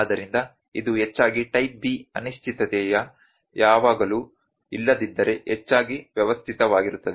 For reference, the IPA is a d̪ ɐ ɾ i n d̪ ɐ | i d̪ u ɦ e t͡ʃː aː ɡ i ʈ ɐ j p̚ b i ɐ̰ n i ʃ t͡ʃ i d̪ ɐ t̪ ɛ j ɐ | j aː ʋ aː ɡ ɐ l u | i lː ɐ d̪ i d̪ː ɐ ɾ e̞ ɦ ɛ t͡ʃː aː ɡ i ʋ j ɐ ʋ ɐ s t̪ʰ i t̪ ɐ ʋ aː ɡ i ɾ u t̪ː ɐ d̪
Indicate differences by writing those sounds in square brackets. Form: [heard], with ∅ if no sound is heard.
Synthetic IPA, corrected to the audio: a d̪ ɐ ɾ i n d̪ ɐ | i d̪ u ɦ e t͡ʃː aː ɡ i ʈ ɐ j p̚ b i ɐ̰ n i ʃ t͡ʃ i [t̪] ɐ t̪ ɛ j ɐ | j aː ʋ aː ɡ ɐ l u | i lː ɐ d̪ i d̪ː ɐ ɾ e̞ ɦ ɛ t͡ʃː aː ɡ i ʋ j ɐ ʋ ɐ s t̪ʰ i t̪ ɐ ʋ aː ɡ i ɾ u t̪ː ɐ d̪